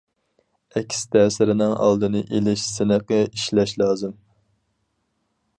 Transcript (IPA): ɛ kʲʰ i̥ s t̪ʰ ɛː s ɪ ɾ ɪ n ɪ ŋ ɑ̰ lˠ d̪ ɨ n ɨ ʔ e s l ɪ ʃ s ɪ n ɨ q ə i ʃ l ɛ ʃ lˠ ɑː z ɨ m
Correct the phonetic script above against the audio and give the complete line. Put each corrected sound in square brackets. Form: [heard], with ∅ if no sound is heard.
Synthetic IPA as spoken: ɛ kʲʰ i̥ s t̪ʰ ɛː s ɪ ɾ ɪ n ɪ ŋ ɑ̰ lˠ d̪ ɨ n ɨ ʔ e [∅] l ɪ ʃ s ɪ n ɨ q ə i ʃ l ɛ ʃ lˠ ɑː z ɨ m